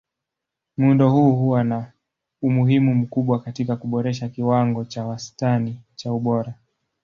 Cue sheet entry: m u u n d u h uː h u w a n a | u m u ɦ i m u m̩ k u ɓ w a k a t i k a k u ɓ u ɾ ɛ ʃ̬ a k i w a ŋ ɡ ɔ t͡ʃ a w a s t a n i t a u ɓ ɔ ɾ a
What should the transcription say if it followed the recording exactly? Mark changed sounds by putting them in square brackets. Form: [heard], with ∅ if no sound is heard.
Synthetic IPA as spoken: m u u n d [ɔ] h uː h u w a n a | u m u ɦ i m u m̩ k u ɓ w a k a t i k a k u ɓ [ɔ] ɾ ɛ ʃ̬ a k i w a ŋ ɡ ɔ t͡ʃ a w a s t a n i [t͡ʃ] a u ɓ ɔ ɾ a